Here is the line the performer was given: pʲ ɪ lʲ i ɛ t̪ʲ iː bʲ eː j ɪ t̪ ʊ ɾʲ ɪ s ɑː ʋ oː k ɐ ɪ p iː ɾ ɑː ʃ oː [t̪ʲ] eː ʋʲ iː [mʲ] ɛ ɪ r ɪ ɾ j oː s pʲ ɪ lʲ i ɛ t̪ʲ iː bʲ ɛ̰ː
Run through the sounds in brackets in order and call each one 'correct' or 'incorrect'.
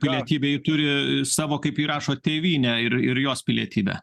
correct, incorrect: nʲ

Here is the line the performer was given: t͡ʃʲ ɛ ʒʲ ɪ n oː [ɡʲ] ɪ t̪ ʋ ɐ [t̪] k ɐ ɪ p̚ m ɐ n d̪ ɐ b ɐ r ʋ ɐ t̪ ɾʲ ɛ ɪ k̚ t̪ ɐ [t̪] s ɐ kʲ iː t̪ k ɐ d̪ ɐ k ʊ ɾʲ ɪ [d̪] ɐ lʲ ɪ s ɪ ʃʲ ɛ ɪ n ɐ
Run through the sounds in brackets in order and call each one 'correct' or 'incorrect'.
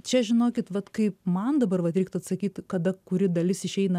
incorrect: kʲ, correct, correct, correct

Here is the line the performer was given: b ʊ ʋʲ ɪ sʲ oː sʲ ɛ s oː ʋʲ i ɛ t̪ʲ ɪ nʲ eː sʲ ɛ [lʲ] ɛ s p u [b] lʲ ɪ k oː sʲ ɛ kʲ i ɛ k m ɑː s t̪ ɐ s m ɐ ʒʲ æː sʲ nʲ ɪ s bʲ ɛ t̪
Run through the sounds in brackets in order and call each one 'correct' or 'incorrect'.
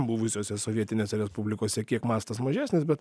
incorrect: ɾʲ, correct

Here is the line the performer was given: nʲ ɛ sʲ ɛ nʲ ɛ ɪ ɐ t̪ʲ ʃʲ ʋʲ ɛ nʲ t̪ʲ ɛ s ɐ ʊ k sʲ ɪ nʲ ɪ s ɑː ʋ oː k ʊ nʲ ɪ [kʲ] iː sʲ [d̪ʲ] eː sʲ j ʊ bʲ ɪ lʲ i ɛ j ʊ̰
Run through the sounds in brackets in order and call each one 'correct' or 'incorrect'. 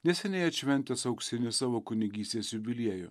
incorrect: ɡʲ, incorrect: t̪ʲ

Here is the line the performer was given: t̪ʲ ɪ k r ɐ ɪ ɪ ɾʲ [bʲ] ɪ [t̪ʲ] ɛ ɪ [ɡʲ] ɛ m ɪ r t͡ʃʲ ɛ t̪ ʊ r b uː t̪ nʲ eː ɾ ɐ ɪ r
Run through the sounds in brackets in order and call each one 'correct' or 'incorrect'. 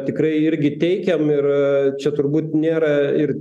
incorrect: ɡʲ, correct, incorrect: kʲ

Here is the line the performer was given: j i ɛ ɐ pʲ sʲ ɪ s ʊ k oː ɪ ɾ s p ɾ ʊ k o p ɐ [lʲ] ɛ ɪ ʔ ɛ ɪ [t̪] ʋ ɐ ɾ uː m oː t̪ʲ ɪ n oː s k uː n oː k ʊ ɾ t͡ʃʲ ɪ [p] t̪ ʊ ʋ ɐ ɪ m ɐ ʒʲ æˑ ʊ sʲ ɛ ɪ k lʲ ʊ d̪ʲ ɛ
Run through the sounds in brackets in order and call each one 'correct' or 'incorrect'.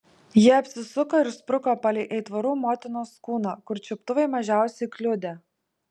correct, correct, correct

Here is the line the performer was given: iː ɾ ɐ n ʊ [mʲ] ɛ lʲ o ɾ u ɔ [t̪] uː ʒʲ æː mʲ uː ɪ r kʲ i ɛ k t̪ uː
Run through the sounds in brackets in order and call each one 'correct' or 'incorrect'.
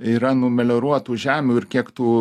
correct, correct

